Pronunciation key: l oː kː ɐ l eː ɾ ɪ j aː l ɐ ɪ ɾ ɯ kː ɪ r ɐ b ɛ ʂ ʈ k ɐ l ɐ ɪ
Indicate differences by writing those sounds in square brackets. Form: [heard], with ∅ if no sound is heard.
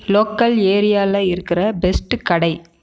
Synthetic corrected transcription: l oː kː ɐ l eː ɾ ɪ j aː l ɐ ɪ ɾ ɯ kː ɪ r ɐ b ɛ [s] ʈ k ɐ [ɽ] ɐ ɪ